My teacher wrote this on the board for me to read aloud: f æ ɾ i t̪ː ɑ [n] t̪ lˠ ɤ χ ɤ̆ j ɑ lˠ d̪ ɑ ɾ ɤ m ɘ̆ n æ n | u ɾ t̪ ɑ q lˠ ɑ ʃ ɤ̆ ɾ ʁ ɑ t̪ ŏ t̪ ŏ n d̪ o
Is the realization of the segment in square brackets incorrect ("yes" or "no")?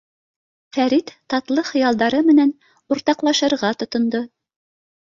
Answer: yes